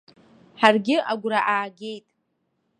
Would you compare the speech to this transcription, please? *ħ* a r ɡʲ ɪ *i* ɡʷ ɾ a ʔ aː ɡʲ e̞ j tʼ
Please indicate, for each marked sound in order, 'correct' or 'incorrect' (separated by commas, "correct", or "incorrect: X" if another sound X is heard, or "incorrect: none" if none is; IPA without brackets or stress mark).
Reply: correct, incorrect: a